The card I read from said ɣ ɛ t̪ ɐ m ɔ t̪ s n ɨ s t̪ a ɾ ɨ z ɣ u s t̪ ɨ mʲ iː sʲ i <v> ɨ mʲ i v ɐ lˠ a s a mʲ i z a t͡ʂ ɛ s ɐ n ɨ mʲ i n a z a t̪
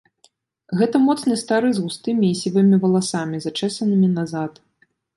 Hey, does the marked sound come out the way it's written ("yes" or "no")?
yes